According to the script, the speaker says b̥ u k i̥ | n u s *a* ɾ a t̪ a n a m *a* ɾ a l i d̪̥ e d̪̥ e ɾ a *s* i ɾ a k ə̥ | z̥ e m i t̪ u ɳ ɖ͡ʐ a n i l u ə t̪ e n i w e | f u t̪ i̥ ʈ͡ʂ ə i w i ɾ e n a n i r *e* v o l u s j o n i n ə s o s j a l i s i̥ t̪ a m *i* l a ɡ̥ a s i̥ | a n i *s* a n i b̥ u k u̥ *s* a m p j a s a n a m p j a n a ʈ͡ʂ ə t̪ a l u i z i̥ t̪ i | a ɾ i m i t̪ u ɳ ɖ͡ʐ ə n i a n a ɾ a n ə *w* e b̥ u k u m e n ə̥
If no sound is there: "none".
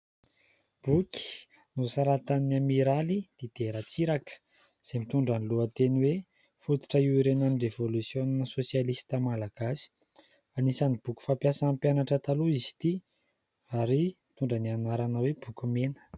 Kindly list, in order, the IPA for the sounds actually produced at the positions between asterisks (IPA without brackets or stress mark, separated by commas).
a, i, t͡s, e, a, s, f, w